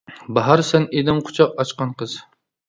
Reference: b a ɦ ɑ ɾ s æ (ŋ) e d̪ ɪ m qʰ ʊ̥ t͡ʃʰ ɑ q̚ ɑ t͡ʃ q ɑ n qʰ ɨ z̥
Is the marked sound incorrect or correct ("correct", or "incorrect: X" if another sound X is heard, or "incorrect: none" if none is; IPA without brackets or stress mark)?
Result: incorrect: n